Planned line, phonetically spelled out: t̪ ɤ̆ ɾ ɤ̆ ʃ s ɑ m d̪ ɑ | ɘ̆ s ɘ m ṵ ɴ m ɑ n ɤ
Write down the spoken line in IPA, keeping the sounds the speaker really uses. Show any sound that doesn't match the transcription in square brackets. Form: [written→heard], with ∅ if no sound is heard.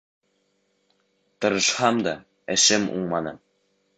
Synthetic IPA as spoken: t̪ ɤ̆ ɾ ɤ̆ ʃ [s→h] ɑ m d̪ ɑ | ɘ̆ [s→ʃ] ɘ m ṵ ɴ m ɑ n ɤ